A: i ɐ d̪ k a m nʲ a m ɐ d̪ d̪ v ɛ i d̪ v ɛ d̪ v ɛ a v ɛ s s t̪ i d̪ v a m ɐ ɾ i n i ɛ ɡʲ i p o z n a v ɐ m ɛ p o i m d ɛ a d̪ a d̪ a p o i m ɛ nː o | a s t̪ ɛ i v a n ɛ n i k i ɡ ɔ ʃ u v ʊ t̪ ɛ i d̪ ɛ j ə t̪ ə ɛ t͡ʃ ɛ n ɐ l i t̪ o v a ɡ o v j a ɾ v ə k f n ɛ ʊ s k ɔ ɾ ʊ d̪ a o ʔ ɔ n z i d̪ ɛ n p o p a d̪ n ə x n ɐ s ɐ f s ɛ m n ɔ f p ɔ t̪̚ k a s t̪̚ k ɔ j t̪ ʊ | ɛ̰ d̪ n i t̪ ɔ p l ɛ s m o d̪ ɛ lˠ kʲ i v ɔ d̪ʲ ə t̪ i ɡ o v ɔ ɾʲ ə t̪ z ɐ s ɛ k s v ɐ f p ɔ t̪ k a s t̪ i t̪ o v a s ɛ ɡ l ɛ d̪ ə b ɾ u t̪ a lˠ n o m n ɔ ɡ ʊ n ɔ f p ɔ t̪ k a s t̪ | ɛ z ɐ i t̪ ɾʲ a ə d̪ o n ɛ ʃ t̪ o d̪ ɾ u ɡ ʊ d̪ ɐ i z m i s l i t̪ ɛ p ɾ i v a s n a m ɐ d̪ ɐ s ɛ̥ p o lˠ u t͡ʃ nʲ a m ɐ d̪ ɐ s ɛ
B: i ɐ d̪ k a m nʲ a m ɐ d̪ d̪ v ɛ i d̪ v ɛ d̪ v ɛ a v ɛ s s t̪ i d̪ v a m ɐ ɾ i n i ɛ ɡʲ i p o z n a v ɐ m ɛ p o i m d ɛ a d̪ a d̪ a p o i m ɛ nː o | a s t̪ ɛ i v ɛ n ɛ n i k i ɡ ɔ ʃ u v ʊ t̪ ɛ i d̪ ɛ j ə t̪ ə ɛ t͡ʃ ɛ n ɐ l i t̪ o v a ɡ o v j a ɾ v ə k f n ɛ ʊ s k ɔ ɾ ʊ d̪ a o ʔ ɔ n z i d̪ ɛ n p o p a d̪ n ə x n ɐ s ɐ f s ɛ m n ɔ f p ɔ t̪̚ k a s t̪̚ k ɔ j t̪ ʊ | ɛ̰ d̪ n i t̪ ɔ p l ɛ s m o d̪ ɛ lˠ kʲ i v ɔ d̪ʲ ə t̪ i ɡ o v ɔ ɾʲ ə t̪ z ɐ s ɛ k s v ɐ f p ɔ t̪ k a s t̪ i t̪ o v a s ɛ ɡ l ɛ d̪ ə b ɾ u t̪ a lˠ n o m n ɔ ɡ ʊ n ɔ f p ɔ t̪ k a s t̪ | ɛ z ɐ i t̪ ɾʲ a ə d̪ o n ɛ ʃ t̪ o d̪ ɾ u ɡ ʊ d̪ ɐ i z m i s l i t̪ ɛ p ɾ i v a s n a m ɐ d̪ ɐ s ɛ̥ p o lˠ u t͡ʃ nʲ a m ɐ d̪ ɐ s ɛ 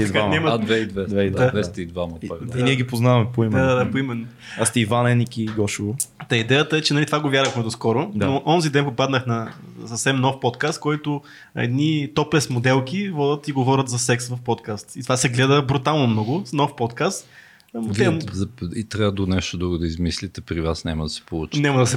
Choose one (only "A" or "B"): A